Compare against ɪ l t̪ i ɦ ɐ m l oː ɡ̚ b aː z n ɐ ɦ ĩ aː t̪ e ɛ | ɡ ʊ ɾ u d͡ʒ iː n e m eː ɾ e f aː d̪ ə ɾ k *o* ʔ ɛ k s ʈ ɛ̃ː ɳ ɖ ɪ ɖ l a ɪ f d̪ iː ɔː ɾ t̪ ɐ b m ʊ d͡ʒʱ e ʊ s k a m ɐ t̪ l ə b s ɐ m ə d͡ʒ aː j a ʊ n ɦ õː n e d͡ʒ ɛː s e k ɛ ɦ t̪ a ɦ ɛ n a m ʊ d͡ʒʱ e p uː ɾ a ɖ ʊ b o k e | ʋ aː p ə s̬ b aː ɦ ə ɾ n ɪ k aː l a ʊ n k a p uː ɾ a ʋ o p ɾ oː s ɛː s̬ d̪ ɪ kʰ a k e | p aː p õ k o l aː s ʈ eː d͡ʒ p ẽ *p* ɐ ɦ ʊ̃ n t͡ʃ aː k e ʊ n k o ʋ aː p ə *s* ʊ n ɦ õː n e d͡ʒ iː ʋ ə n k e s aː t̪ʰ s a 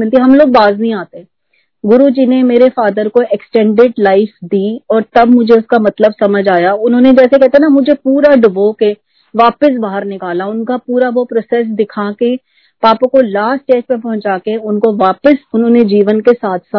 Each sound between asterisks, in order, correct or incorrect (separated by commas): correct, correct, correct